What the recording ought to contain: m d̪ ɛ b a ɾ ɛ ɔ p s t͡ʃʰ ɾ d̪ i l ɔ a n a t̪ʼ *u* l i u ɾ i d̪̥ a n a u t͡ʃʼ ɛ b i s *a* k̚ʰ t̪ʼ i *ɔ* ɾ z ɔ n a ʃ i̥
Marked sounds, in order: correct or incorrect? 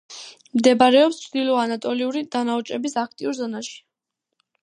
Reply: incorrect, correct, incorrect

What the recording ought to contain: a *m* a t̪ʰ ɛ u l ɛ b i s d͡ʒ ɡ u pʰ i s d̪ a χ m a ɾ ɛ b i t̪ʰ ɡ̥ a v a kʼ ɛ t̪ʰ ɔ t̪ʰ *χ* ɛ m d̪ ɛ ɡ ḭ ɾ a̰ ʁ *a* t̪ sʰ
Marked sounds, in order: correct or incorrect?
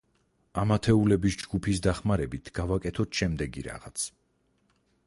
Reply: correct, incorrect, correct

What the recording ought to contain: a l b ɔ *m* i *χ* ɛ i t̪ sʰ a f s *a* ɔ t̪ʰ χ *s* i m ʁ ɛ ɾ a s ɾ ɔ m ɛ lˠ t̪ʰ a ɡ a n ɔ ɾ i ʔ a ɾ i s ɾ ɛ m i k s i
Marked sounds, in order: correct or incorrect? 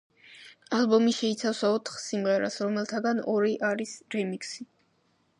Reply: correct, incorrect, correct, correct

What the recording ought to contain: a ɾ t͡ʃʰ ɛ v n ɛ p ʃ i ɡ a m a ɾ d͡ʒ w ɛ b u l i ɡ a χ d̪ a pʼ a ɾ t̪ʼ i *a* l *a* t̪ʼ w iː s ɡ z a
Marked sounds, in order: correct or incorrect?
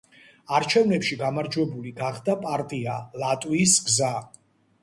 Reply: correct, correct

